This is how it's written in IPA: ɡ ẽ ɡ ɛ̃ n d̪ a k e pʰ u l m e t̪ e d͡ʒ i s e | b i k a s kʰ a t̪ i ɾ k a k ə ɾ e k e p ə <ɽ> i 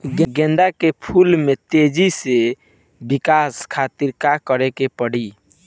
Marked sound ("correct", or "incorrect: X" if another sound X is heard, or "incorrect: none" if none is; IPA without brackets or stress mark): correct